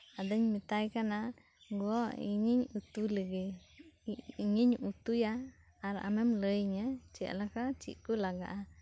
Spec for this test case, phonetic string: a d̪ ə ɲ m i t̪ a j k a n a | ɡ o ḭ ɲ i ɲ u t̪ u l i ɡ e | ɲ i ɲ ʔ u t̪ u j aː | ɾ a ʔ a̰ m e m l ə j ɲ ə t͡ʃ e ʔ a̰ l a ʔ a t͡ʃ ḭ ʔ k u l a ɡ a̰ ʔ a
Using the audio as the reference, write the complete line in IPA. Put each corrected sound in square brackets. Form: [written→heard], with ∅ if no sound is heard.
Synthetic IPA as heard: a d̪ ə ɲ m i t̪ a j k a n a | ɡ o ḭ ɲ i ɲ u t̪ u l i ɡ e | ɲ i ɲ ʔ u t̪ u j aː | ɾ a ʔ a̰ m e m l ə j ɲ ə t͡ʃ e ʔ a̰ l a [ʔ→k] a t͡ʃ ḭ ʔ k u l a ɡ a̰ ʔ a